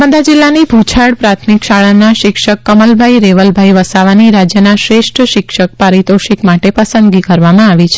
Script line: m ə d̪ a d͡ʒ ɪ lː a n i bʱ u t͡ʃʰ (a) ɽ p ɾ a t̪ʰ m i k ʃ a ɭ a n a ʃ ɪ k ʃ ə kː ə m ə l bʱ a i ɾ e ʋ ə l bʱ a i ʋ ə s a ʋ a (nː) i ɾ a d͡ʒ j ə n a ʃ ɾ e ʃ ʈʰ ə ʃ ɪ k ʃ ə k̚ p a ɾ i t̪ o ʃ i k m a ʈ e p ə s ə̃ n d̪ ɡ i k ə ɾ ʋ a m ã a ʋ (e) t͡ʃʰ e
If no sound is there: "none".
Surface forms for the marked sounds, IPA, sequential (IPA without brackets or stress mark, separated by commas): a, n, i